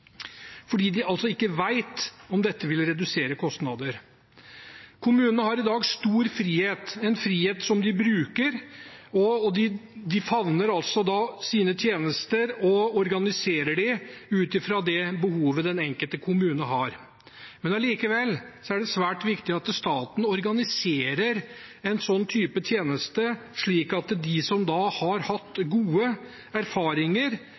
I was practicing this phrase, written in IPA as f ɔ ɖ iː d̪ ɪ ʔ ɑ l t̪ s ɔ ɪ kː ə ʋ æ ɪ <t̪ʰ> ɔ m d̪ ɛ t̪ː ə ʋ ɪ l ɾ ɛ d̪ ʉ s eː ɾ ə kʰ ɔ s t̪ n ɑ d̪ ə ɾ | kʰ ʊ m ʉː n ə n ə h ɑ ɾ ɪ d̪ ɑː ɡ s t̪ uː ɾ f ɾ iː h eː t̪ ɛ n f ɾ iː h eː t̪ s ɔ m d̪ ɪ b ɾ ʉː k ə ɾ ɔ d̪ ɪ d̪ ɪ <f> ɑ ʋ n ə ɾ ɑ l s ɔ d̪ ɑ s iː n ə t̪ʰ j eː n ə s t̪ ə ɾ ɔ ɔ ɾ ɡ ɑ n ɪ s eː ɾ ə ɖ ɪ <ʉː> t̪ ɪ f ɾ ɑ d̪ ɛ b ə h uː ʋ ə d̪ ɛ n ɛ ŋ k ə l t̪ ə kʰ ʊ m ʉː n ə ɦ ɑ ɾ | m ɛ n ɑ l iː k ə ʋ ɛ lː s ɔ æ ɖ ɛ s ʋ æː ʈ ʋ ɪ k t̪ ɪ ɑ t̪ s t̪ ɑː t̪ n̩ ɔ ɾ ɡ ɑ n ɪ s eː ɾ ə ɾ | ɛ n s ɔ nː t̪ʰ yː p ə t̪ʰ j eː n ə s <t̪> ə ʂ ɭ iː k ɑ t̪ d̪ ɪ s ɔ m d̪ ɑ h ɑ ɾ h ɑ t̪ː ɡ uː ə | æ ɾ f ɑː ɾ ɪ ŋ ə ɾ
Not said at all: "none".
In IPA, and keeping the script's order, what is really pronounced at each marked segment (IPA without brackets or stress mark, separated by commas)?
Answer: t̪, f, ʉː, t̪